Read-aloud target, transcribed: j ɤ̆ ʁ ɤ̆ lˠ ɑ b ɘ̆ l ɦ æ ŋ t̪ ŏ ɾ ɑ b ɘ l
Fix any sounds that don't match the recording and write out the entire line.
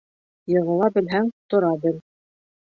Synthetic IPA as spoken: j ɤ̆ ʁ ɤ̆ lˠ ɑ b ɘ̆ l ɦ æ ŋ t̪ ŏ ɾ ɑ b ɘ l